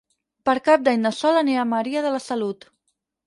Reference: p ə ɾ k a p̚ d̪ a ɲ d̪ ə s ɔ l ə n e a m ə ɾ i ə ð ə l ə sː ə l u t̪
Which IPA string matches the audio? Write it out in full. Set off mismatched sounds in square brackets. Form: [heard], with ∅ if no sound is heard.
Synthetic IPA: p ə ɾ k a p̚ d̪ a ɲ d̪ ə s ɔ l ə n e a m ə ɾ i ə ð ə l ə [s] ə l u t̪